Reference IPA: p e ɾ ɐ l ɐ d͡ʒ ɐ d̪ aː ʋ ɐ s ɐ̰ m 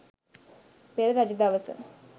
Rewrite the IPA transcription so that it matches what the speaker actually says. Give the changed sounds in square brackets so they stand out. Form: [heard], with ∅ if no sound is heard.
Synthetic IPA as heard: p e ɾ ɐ [ɾ] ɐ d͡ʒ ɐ d̪ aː ʋ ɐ s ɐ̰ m